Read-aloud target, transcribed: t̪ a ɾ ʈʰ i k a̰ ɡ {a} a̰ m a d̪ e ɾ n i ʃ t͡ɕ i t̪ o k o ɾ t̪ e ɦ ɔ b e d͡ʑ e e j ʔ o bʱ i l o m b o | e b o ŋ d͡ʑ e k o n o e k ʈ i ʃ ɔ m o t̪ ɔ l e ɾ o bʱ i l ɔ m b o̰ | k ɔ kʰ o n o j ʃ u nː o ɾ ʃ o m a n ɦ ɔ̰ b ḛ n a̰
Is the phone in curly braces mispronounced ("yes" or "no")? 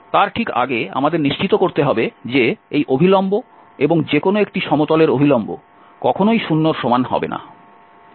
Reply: yes